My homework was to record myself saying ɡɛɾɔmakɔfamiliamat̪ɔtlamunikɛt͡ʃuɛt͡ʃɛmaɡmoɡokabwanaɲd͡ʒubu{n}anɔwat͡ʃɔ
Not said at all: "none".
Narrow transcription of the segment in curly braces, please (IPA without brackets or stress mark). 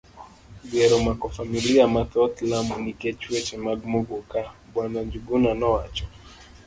n